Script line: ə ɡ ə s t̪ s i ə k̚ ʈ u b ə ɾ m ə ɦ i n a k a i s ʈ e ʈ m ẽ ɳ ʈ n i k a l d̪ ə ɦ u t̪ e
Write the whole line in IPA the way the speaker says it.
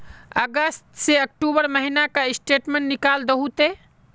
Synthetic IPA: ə ɡ ə s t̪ s e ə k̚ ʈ u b ə ɾ m ə ɦ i n a k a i s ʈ e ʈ m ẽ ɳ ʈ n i k a l d̪ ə ɦ u t̪ e